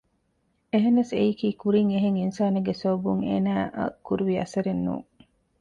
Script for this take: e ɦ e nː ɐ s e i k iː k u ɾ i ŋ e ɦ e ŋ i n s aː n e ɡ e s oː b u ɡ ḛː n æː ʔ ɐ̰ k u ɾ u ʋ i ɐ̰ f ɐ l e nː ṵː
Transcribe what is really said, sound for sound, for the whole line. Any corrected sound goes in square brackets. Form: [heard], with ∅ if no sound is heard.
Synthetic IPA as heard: e ɦ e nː ɐ s e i k iː k u ɾ i ŋ e ɦ e ŋ i n s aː n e ɡ e s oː b u [ŋ] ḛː n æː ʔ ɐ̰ k u ɾ u ʋ i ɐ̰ [s] ɐ [ɾ] e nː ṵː